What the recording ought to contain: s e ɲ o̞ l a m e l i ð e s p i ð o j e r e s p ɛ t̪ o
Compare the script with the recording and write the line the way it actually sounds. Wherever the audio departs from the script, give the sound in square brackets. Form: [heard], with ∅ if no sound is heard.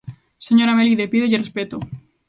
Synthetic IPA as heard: s e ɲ o̞ [ɾ] a m e l i ð e [∅] p i ð o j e r e s p [e] t̪ o